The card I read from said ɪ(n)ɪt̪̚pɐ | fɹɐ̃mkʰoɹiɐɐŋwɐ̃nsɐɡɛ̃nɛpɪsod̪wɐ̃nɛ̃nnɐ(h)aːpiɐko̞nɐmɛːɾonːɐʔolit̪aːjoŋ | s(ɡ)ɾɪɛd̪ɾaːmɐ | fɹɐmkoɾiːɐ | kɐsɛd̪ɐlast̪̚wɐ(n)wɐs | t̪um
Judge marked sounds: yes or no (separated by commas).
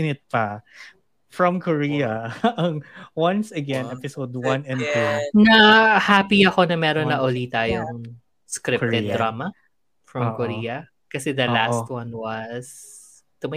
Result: yes, yes, no, yes